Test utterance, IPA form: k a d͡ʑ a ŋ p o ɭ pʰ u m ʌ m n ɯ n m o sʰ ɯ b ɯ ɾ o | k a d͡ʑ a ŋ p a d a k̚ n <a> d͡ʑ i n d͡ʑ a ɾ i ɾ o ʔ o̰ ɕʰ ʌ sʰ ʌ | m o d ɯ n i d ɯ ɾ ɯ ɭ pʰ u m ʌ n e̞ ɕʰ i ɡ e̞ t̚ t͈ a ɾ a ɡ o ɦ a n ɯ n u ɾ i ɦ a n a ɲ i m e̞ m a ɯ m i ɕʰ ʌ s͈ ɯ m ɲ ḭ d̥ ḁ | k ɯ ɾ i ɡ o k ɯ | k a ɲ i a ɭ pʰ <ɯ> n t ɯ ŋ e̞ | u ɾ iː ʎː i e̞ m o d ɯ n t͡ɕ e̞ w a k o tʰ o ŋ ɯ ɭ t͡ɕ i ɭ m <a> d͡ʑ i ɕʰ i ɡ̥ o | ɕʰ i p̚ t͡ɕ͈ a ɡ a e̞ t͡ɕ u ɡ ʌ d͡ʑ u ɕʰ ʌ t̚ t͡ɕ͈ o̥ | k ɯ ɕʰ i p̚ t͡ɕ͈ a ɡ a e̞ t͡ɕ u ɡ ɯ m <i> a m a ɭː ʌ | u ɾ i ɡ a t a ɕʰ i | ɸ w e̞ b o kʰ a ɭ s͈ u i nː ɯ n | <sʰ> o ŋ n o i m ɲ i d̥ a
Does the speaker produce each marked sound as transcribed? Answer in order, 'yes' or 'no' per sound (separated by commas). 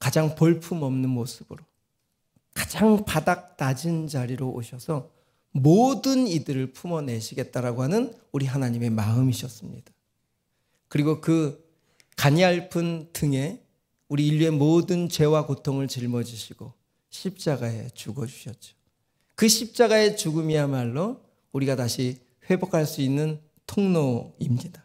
yes, yes, no, yes, no